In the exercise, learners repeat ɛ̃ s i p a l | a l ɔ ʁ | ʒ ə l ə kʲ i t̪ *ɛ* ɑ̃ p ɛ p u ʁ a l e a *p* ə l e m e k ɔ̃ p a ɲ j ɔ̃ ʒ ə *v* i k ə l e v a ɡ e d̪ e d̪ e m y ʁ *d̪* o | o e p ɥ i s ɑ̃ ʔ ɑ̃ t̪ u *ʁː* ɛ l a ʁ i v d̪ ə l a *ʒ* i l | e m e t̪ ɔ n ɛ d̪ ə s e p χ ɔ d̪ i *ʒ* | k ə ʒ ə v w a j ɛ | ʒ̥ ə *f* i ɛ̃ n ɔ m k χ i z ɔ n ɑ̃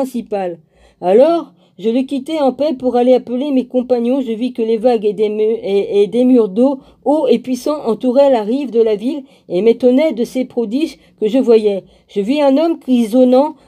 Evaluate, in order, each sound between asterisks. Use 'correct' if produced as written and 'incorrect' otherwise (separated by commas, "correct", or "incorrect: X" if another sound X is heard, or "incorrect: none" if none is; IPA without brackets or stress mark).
correct, correct, correct, correct, incorrect: ʁ, incorrect: v, correct, incorrect: v